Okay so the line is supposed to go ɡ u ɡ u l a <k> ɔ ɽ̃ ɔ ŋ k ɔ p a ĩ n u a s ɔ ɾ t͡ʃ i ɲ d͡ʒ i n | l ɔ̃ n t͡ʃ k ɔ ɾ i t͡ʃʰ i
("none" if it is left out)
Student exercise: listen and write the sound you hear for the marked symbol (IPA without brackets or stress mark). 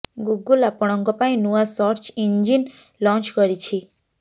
p